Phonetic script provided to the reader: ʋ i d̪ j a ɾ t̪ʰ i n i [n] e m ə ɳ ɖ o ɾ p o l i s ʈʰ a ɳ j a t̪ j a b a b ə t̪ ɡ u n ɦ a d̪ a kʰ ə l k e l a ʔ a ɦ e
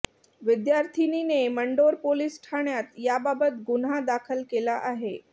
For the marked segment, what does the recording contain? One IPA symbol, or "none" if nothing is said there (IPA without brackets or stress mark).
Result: n